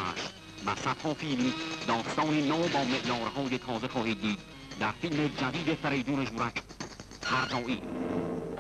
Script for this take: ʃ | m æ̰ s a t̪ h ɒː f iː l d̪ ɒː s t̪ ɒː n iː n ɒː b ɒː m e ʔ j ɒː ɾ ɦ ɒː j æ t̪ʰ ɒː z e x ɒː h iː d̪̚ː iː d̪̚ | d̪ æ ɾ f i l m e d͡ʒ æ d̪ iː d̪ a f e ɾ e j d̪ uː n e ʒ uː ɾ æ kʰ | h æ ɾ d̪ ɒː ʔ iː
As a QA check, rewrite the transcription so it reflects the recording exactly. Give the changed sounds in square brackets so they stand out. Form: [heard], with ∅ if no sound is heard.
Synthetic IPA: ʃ | m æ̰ s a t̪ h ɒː f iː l d̪ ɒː s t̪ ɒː n iː n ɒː b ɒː m e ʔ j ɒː ɾ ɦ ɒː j [e] t̪ʰ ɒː z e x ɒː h iː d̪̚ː iː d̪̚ | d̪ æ ɾ f i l m e d͡ʒ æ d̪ iː d̪ [e] f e ɾ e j d̪ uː n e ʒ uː ɾ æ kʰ | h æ ɾ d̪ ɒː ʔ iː

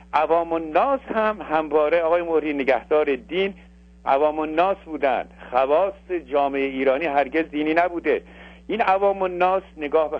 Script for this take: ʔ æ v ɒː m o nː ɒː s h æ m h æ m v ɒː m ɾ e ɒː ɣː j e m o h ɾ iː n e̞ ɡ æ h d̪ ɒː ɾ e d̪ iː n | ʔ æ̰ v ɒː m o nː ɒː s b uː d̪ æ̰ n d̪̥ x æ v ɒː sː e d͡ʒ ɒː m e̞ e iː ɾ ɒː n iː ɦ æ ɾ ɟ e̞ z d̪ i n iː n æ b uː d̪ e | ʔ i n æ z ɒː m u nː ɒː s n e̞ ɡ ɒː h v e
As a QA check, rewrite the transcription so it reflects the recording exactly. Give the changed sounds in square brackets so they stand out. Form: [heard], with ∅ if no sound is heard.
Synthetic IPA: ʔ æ v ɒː m o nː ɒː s h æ m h æ m v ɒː [∅] ɾ e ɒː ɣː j e m o h ɾ iː n e̞ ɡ æ h d̪ ɒː ɾ e d̪ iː n | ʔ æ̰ v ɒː m o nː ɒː s b uː d̪ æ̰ n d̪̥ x æ v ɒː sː e d͡ʒ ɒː m e̞ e iː ɾ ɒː n iː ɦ æ ɾ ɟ e̞ z d̪ [iː] n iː n æ b uː d̪ e | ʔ i n æ [v] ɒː m [o] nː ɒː s n e̞ ɡ ɒː h [b] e

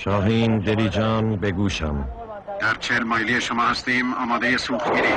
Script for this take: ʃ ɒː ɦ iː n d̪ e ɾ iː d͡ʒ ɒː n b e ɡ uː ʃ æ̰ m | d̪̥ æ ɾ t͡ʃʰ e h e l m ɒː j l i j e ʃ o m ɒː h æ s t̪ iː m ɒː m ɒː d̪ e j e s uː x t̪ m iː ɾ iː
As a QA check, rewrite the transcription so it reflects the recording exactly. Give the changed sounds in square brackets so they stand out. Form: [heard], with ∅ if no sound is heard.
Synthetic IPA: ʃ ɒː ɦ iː n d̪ e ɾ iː d͡ʒ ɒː n b e ɡ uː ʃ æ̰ m | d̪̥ æ ɾ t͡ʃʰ e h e l m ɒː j l i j e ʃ o m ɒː h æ s t̪ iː m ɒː m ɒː d̪ e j e s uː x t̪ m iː ɾ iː

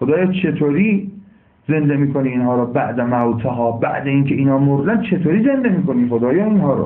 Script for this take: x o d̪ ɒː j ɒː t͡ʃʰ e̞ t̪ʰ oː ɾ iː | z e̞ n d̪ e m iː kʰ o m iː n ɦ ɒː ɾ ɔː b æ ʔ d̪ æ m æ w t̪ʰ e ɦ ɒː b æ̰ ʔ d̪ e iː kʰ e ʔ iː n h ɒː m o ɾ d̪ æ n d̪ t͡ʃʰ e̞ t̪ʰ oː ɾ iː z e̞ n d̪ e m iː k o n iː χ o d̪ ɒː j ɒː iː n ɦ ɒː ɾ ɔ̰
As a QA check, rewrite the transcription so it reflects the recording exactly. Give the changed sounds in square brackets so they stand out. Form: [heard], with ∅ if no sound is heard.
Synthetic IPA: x o d̪ ɒː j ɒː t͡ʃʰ e̞ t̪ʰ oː ɾ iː | z e̞ n d̪ e m iː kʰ o [n] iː n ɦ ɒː ɾ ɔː b æ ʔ d̪ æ m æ w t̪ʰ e ɦ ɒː b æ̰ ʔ d̪ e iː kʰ e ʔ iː n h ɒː m o ɾ d̪ æ n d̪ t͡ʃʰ e̞ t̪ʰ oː ɾ iː z e̞ n d̪ e m iː k o n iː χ o d̪ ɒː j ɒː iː n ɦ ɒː ɾ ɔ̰

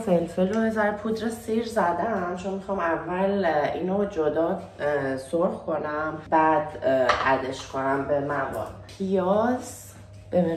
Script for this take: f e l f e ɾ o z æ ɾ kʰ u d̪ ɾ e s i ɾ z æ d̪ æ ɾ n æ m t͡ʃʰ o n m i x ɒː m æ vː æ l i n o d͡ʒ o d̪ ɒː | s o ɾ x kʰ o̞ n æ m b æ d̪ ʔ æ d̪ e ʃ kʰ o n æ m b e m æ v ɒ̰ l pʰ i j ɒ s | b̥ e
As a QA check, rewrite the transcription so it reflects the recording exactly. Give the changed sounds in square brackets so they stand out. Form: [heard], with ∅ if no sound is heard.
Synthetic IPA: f e l f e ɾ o z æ ɾ [pʰ] u d̪ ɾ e s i ɾ z æ d̪ æ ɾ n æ m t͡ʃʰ o n m i x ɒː m æ vː æ l i n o d͡ʒ o d̪ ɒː | s o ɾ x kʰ o̞ n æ m b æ d̪ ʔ æ d̪ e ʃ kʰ o n æ m b e m æ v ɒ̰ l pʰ i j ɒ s | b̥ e

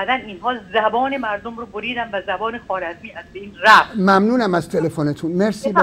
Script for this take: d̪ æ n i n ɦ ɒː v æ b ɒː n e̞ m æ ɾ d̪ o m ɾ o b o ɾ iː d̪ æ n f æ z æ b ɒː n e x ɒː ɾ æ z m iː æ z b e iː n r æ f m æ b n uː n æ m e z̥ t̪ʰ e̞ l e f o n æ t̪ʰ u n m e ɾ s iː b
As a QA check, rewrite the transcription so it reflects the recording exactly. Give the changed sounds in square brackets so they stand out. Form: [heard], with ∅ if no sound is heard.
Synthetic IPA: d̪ æ n i n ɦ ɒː [z] æ b ɒː n e̞ m æ ɾ d̪ o m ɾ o b o ɾ iː d̪ æ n [v] æ z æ b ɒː n e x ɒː ɾ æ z m iː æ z b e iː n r æ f m æ [m] n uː n æ m [æ] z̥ t̪ʰ e̞ l e f o n [e] t̪ʰ u n m e ɾ s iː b

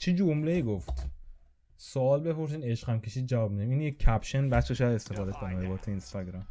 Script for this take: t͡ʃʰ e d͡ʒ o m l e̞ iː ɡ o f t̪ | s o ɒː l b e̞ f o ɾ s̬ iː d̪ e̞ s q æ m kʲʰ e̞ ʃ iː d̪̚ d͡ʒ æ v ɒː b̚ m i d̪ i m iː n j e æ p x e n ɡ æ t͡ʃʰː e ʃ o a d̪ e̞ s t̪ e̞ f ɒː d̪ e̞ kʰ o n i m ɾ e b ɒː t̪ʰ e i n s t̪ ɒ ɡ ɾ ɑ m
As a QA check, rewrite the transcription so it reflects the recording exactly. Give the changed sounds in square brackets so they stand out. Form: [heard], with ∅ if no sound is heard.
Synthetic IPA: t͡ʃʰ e d͡ʒ o m l e̞ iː ɡ o f t̪ | s o ɒː l b e̞ f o ɾ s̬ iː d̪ e̞ [ʃ] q æ m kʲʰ e̞ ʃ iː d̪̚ d͡ʒ æ v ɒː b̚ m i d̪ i m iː n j e æ p [ʃ] e n [b] æ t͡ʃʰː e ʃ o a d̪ e̞ s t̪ e̞ f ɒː d̪ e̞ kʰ o n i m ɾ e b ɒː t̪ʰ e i n s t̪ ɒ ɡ ɾ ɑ m

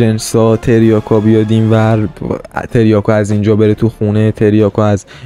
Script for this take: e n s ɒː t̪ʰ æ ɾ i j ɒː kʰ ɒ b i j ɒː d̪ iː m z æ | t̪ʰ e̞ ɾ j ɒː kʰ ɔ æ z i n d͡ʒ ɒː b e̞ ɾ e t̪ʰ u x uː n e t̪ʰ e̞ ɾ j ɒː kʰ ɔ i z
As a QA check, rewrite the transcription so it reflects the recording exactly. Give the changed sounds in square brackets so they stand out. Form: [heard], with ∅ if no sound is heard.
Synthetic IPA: e n s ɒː t̪ʰ [e] ɾ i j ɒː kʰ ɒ b i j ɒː d̪ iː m [v] æ | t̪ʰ e̞ ɾ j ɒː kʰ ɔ æ z i n d͡ʒ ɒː b e̞ ɾ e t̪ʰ u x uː n e t̪ʰ e̞ ɾ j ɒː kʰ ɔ [æ] z

